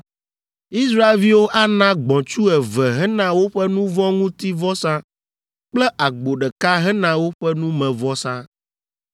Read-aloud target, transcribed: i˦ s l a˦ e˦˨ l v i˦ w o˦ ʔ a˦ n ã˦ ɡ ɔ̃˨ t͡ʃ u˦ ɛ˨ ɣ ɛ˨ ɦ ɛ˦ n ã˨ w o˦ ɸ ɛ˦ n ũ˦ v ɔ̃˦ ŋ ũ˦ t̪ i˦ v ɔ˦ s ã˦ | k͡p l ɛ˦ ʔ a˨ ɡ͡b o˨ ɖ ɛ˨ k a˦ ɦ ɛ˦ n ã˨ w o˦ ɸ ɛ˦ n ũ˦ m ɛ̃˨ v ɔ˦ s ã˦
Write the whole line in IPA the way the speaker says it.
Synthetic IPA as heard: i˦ s ɾ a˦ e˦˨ l v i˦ w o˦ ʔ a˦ n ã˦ ɡ͡b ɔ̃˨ t͡ʃ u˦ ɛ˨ v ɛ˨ ɦ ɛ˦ n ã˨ w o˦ ɸ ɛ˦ n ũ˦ v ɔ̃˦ ŋ ũ˦ t̪ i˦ v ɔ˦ s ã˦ | k͡p l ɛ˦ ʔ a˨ ɡ͡b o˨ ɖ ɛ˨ k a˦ ɦ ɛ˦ n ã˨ w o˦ ɸ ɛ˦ n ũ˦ m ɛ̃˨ v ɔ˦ s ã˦